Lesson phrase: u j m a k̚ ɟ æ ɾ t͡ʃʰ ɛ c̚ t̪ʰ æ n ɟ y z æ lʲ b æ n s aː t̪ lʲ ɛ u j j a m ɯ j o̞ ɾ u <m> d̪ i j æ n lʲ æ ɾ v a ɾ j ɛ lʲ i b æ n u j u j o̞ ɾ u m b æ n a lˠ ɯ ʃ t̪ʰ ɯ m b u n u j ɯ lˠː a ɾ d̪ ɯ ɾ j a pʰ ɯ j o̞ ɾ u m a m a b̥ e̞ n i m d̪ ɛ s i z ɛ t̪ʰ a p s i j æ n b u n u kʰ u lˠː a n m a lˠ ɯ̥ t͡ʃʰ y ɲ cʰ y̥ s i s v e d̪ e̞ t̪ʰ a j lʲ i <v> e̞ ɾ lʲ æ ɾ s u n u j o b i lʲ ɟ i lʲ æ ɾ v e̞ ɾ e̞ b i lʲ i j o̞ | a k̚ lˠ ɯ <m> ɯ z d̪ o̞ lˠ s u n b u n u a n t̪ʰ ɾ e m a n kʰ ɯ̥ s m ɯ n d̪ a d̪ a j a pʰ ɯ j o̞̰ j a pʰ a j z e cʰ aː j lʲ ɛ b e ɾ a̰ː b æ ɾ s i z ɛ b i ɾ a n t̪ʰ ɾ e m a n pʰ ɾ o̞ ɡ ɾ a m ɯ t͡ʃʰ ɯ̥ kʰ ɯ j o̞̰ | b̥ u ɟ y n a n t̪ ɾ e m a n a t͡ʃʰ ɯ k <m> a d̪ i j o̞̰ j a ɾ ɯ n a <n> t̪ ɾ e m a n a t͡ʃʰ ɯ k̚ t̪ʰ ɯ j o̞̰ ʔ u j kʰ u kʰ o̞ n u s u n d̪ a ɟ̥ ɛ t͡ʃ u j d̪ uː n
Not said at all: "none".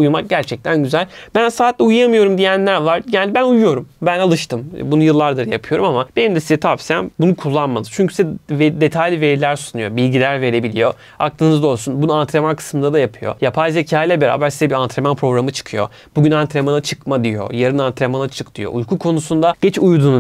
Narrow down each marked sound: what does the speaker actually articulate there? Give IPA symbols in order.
m, v, n, m, n

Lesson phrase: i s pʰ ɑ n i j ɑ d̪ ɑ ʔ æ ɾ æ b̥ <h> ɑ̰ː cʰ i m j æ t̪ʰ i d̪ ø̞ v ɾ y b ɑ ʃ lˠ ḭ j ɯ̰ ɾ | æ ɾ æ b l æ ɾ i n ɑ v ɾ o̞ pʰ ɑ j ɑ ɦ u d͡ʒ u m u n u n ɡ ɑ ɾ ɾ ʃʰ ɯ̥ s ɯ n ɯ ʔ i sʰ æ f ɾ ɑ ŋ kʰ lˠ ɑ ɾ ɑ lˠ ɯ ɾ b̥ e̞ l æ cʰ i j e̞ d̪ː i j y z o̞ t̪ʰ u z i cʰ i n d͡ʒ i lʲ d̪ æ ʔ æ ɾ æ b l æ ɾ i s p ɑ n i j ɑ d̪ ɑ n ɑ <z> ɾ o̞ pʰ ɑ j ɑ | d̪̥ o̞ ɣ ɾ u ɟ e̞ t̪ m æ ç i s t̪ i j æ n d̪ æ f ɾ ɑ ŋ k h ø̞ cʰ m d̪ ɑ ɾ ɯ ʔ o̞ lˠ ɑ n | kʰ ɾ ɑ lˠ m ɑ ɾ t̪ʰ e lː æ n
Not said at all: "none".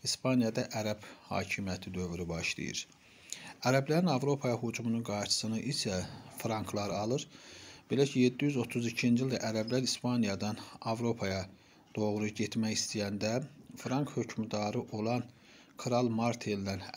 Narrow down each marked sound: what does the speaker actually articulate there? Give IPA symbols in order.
h, v

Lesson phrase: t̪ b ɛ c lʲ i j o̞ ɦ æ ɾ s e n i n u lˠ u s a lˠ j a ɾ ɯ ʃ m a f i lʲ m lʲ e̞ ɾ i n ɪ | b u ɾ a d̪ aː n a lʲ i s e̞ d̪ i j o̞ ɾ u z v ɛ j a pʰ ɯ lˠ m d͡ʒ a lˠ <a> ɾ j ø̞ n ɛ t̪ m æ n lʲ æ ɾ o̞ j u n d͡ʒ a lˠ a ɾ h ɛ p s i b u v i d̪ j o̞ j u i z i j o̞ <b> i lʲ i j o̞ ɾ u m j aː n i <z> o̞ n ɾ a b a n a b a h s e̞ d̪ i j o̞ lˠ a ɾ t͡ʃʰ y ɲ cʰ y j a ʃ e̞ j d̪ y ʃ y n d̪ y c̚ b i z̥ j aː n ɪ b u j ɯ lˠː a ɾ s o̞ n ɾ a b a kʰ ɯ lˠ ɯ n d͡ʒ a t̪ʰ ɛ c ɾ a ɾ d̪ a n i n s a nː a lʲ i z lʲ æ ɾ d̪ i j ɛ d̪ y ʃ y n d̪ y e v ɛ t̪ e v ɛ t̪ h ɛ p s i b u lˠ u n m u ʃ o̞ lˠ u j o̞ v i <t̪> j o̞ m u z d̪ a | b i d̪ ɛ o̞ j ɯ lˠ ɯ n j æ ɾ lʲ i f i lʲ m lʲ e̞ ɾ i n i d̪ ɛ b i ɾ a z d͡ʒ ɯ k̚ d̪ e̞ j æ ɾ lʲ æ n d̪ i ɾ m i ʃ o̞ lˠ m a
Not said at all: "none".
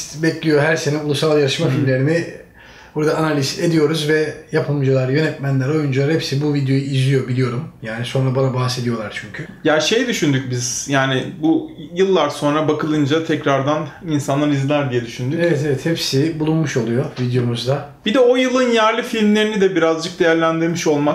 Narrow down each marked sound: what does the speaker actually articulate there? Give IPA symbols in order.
a, b, s, d̪

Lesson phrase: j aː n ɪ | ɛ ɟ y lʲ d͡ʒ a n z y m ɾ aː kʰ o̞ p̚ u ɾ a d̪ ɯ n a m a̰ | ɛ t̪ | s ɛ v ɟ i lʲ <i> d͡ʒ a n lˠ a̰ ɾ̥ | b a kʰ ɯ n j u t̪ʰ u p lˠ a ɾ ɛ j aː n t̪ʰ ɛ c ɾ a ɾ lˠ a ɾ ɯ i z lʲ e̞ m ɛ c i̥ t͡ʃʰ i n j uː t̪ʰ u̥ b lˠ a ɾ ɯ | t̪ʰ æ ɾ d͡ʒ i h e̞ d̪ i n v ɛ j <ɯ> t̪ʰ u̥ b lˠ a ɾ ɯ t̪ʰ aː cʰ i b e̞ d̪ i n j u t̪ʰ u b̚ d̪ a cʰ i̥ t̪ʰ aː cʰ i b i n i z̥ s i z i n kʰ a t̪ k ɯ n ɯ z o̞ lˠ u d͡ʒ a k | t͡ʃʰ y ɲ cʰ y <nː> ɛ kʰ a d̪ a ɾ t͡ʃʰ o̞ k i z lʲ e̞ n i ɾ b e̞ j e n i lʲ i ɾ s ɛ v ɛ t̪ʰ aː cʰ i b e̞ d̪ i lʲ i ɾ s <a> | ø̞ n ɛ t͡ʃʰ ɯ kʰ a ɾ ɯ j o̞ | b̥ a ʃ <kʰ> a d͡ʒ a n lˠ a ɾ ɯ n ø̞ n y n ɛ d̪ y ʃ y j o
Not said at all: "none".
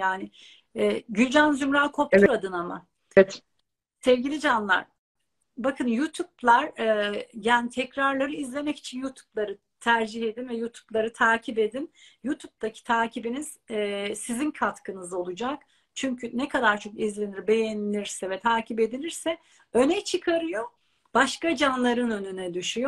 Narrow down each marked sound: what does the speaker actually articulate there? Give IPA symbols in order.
i, u, n, ɛ, k

